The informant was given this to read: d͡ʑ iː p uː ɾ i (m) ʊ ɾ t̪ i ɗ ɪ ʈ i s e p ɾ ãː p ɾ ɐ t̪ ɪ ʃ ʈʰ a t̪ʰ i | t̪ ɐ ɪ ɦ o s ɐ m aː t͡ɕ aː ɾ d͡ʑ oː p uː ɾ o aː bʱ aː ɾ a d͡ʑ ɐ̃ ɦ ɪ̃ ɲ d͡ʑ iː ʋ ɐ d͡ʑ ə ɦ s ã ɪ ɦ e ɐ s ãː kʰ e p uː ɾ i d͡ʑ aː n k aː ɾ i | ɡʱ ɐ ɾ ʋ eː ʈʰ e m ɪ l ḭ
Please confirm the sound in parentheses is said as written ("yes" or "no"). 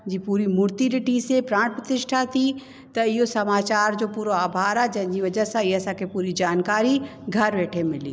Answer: yes